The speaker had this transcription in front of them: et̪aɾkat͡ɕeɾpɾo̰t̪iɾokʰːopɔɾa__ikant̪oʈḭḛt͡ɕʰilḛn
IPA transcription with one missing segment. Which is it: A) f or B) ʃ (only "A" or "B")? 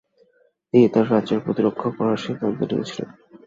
B